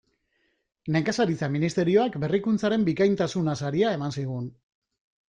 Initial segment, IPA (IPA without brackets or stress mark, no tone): n